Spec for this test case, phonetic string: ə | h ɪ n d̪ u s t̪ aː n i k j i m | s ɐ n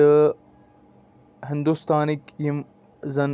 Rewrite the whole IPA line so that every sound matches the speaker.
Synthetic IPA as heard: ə | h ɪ n d̪ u s t̪ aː n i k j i m | z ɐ n